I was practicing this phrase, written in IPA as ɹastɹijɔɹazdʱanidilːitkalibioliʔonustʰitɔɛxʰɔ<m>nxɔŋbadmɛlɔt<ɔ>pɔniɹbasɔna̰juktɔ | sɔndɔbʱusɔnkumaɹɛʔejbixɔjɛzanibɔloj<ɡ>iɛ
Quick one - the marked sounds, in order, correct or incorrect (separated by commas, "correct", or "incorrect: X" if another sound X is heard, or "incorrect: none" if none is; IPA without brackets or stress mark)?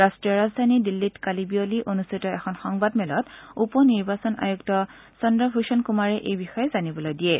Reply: incorrect: none, incorrect: u, incorrect: d